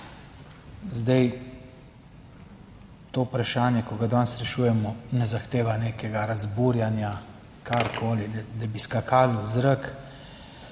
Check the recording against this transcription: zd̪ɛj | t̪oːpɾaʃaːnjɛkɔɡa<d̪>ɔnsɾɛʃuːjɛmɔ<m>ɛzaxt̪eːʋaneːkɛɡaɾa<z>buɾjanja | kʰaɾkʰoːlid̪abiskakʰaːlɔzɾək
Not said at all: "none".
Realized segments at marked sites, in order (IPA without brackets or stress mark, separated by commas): d̪, n, z